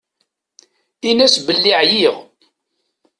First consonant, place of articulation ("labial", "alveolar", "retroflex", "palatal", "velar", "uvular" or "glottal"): alveolar